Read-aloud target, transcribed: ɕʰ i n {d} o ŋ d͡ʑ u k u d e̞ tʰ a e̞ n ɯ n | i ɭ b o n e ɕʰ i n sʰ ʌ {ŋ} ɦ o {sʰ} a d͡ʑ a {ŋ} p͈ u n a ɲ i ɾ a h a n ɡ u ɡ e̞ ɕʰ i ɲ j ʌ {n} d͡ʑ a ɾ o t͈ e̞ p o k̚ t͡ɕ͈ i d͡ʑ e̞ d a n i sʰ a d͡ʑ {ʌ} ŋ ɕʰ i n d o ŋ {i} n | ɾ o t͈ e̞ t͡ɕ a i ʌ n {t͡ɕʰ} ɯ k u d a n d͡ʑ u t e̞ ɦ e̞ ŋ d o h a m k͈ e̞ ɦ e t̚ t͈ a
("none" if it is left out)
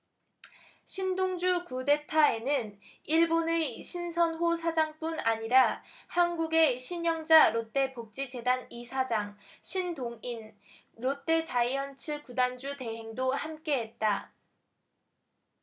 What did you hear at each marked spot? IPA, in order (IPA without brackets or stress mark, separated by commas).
d, n, sʰ, ŋ, ŋ, a, i, t͡ɕʰ